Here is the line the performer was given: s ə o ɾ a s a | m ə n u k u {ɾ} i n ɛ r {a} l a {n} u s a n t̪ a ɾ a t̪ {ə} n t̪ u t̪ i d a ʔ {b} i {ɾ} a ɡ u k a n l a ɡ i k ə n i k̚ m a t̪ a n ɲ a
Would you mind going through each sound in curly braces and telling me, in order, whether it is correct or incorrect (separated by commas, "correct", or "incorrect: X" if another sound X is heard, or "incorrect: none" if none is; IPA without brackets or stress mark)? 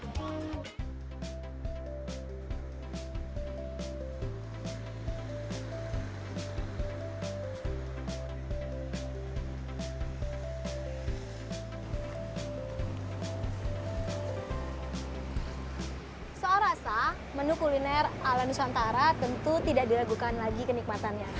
incorrect: l, correct, correct, correct, incorrect: d, incorrect: l